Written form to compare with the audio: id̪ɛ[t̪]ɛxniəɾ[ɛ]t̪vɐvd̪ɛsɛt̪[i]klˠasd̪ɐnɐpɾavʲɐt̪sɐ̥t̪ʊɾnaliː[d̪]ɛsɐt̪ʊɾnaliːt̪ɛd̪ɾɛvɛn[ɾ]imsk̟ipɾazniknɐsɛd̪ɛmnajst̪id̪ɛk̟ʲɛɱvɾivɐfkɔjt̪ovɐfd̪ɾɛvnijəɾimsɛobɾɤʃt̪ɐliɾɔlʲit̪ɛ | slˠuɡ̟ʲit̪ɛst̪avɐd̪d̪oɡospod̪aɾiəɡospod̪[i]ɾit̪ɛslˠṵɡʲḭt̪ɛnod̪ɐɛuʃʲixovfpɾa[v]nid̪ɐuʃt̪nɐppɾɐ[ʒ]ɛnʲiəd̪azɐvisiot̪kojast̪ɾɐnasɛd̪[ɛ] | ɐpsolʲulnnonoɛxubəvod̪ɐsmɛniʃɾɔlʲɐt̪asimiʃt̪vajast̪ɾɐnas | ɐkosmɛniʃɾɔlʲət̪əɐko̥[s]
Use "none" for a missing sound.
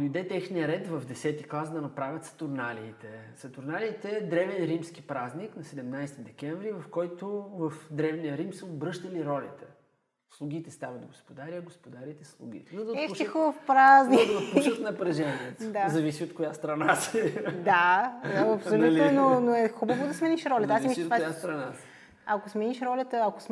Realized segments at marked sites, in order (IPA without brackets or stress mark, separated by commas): t̪, ɛ, i, t̪, ɾ, a, z, ʒ, a, s